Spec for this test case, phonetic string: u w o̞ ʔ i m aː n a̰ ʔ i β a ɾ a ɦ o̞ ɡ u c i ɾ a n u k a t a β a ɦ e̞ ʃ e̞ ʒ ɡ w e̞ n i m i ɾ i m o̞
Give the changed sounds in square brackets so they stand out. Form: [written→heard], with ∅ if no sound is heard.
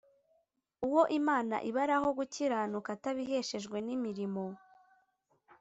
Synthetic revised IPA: u w o̞ ʔ i m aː n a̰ ʔ i β a ɾ a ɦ o̞ ɡ u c i ɾ a n u k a t a β [a→i] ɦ e̞ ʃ e̞ ʒ ɡ w e̞ n i m i ɾ i m o̞